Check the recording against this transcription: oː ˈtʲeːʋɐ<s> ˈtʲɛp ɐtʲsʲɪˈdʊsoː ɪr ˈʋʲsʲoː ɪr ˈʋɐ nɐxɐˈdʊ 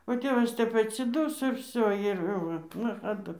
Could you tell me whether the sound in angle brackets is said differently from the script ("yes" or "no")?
no